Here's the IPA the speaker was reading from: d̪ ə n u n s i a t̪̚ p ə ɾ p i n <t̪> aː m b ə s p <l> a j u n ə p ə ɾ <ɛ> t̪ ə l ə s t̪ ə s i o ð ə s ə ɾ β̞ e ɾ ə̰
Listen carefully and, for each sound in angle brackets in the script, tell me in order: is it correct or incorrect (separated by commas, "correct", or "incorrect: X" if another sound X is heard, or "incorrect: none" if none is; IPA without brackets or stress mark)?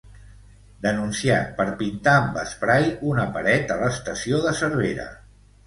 correct, incorrect: ɾ, correct